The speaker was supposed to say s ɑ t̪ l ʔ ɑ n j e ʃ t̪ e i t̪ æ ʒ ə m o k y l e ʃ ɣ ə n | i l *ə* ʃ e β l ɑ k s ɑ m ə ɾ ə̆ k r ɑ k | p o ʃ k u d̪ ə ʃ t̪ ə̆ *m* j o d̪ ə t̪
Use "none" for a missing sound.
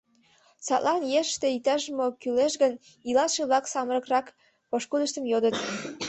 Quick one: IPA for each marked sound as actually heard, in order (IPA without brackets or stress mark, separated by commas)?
ɑ, m